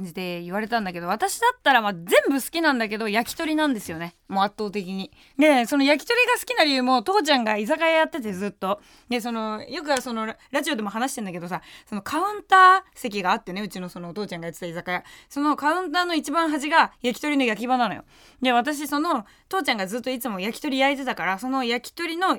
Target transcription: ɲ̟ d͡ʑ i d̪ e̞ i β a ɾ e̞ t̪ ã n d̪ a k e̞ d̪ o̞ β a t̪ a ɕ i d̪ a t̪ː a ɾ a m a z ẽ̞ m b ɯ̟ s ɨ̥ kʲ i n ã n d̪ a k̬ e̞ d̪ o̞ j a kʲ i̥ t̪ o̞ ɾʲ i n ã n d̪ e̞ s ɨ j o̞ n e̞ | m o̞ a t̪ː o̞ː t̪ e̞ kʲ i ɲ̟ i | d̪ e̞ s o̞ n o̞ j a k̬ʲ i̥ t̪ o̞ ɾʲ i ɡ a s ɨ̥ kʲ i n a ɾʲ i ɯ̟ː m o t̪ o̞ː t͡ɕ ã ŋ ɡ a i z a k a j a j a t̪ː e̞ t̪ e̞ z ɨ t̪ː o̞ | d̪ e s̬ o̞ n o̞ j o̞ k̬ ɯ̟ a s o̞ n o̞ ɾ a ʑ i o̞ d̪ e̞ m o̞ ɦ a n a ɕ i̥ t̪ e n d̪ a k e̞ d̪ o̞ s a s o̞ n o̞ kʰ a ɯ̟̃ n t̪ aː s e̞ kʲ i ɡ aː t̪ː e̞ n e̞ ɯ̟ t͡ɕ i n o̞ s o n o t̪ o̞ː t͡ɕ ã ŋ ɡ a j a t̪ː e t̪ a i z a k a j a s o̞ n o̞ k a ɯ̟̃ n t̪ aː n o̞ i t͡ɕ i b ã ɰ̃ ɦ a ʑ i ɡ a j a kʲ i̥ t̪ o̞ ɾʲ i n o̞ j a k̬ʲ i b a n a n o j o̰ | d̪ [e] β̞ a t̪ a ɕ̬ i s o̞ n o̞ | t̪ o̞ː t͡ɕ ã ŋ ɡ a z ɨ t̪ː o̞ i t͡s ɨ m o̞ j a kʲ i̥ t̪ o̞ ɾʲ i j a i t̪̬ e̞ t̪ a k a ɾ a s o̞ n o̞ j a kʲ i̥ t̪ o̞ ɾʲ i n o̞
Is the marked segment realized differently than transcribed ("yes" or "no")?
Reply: no